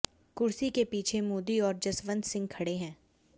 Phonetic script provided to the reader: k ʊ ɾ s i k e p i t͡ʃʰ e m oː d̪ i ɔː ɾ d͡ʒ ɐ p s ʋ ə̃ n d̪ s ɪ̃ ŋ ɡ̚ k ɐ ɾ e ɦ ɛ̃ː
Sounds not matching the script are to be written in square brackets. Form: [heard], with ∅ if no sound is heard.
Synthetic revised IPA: k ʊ ɾ s i k e p [iː] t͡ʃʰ e m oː d̪ i ɔː ɾ d͡ʒ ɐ [∅] s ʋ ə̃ n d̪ s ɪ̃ ŋ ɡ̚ [kʰ] ɐ [ɽ] e ɦ ɛ̃ː